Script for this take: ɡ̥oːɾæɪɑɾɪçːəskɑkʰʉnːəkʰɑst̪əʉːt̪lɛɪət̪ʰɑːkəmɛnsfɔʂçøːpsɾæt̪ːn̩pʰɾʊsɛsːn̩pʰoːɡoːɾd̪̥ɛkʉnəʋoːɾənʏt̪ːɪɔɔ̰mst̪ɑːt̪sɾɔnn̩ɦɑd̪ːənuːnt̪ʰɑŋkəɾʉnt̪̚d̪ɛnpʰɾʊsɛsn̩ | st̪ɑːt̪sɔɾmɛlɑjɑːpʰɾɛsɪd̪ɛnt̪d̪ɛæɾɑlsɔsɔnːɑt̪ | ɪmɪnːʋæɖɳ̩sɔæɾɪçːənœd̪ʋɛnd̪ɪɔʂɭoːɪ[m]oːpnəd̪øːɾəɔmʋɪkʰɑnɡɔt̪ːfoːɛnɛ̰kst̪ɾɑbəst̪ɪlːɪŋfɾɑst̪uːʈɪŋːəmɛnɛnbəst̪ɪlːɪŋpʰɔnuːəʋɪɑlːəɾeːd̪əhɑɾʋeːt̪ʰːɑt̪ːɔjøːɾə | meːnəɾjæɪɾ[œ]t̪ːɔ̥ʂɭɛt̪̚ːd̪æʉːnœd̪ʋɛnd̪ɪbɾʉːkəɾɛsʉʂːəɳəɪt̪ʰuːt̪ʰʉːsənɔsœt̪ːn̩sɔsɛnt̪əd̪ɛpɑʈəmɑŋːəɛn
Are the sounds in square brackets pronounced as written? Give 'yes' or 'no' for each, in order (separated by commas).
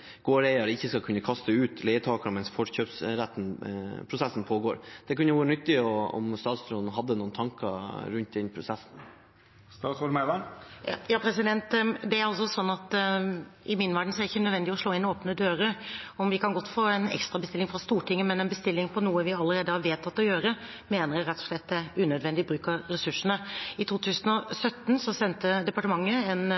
no, no